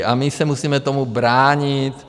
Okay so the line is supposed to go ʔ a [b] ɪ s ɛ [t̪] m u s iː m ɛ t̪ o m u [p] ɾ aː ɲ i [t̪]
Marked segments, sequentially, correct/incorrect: incorrect, incorrect, incorrect, correct

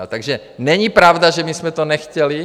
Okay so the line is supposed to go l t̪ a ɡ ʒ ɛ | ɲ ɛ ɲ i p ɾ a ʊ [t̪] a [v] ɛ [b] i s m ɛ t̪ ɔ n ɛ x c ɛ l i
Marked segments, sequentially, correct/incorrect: incorrect, incorrect, incorrect

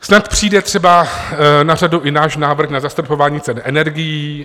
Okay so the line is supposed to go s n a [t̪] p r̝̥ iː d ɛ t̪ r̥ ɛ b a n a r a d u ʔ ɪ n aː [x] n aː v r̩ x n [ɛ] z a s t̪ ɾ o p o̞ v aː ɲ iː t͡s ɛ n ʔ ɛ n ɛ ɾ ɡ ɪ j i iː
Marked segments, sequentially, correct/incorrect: correct, incorrect, incorrect

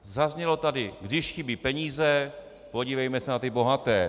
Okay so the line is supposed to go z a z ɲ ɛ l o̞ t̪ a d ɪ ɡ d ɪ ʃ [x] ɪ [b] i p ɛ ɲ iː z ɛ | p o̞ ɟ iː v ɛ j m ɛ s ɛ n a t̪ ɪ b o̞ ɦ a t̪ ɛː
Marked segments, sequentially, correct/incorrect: correct, correct

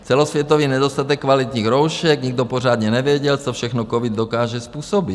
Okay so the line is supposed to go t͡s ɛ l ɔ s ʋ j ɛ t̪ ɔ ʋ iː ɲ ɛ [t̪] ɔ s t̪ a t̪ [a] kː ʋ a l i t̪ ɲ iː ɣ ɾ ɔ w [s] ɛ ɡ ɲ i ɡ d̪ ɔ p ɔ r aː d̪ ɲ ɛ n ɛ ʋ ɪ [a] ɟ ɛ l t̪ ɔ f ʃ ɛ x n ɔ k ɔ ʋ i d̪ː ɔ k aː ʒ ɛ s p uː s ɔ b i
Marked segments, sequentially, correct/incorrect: incorrect, incorrect, incorrect, incorrect

